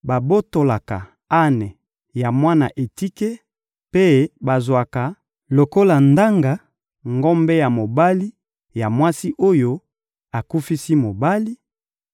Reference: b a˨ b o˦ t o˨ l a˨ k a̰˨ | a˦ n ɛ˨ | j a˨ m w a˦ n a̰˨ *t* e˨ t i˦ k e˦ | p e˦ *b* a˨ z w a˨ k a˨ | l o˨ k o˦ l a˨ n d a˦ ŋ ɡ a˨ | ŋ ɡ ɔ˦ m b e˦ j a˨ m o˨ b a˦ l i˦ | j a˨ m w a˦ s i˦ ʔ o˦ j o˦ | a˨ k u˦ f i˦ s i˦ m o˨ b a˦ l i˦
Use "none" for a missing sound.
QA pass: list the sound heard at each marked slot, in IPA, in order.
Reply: ʔ, b

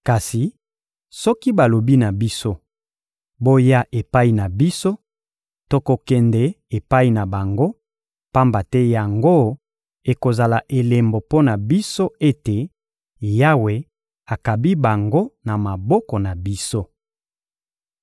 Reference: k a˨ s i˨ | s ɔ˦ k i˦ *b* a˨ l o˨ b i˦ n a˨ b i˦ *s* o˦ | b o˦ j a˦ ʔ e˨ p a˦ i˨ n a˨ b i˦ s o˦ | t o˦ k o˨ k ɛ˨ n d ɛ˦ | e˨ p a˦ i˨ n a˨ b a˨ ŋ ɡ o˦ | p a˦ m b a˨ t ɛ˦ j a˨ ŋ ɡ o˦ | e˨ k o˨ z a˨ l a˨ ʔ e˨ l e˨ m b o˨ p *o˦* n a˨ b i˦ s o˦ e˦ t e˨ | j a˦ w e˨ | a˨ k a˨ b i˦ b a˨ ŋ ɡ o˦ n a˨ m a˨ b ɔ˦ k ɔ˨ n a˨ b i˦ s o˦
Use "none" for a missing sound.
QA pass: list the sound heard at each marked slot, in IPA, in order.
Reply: b, s, o˦

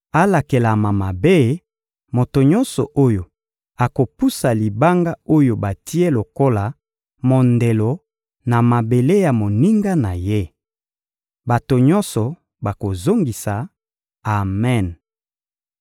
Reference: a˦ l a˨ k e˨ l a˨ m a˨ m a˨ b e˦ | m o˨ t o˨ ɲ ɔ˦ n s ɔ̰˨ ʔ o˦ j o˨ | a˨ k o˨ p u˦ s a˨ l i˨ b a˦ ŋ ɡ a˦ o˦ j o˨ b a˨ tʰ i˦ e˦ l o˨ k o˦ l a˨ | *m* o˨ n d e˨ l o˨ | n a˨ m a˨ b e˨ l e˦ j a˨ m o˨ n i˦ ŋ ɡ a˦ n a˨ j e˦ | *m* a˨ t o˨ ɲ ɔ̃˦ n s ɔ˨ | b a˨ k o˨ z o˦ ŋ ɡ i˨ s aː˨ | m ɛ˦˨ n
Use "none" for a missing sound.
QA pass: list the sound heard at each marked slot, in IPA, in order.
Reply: m, b

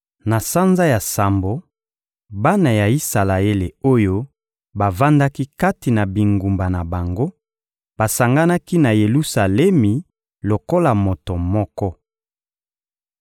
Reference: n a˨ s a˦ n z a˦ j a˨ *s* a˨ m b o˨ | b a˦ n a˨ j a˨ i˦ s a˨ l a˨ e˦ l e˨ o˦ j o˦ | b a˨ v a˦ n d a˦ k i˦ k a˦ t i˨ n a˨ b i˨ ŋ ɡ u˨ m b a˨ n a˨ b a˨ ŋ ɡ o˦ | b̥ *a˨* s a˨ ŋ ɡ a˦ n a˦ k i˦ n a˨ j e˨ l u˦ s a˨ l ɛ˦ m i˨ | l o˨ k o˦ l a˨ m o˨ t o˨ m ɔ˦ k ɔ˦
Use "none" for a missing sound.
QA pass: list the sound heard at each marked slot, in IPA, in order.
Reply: s, a˨

